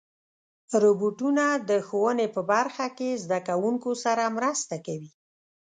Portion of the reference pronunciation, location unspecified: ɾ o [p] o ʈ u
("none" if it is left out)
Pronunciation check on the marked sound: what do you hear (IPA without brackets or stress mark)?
b